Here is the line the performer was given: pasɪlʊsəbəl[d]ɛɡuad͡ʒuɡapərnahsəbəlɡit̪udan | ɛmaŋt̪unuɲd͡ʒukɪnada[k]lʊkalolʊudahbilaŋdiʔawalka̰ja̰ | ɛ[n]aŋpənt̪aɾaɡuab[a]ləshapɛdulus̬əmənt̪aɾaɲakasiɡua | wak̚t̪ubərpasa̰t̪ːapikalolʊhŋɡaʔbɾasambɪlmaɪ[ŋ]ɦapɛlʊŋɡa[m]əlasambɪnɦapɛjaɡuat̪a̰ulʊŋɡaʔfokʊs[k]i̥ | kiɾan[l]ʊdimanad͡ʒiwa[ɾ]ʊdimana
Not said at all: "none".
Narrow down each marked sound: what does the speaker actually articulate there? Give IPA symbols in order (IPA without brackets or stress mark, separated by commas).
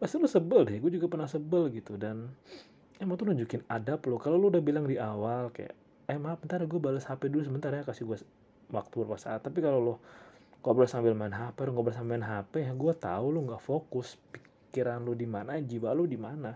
d, p, m, a, n, b, p, l, l